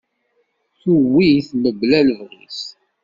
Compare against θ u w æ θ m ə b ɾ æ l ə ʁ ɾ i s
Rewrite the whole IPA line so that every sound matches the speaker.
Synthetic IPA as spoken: θ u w i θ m ə b l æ l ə v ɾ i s